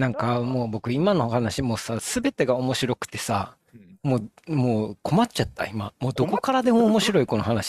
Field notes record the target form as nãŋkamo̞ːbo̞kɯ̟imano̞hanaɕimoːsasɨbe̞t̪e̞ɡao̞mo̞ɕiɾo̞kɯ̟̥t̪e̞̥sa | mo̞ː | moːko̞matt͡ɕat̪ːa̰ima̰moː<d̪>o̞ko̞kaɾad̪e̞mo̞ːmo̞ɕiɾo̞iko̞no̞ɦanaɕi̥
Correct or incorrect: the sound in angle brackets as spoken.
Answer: correct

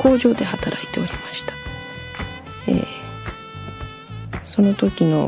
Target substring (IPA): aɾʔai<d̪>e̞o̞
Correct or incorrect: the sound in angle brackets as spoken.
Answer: incorrect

